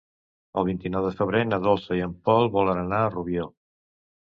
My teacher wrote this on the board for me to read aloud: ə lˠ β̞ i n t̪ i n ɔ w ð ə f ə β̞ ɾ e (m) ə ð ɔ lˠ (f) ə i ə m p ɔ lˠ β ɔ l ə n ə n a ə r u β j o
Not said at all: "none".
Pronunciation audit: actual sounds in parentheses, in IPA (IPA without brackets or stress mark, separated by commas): n, s